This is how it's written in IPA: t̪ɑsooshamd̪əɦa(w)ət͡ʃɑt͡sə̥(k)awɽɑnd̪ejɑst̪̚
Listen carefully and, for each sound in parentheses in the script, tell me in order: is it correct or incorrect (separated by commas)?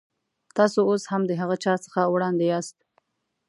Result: incorrect, incorrect